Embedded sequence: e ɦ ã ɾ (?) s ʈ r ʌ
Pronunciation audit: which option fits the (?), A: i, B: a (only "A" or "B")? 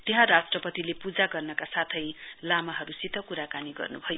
B